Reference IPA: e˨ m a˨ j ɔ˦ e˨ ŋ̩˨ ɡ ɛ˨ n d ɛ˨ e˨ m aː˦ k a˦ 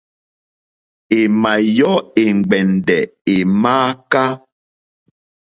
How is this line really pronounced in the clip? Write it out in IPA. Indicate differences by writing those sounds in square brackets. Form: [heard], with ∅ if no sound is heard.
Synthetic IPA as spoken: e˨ m a˨ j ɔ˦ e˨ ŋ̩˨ [ɡ͡b] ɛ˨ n d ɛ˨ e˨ m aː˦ k a˦